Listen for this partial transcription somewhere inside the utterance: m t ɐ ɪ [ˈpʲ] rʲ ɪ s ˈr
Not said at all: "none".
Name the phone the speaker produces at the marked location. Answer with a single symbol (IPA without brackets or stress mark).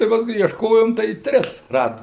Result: tʲ